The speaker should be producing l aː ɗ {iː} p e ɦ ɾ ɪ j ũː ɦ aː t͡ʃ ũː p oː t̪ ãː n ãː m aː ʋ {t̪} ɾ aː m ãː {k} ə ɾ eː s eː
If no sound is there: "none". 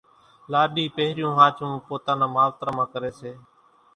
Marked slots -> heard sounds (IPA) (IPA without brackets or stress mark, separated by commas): iː, t̪, k